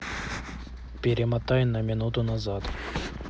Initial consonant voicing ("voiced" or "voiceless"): voiceless